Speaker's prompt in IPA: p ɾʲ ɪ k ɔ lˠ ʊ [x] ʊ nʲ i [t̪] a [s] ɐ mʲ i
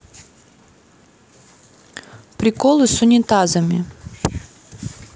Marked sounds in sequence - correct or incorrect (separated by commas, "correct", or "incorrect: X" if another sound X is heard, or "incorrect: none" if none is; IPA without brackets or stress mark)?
incorrect: s, correct, incorrect: z